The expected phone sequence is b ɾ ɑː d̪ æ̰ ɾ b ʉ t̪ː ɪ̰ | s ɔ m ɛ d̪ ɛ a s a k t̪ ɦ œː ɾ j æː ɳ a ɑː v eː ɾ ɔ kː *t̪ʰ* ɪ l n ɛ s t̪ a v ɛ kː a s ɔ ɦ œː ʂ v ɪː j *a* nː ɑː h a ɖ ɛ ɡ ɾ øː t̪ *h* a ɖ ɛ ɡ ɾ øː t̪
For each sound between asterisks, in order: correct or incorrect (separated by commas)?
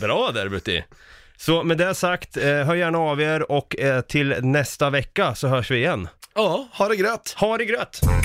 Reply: correct, incorrect, correct